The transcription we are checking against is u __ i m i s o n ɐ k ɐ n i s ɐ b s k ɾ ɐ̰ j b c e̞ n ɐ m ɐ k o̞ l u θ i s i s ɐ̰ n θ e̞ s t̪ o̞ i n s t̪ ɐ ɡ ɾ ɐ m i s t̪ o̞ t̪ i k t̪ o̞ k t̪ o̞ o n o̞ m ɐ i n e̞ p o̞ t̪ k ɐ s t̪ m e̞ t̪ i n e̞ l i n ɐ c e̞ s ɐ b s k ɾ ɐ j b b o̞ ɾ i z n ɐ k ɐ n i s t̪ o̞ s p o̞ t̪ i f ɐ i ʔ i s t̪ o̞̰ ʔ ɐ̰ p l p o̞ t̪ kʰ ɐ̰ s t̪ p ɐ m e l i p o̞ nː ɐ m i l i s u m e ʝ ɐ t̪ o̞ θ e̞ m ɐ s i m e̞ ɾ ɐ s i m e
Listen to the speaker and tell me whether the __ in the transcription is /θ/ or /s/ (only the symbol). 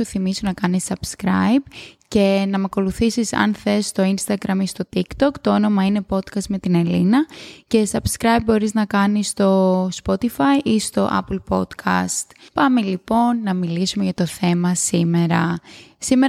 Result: θ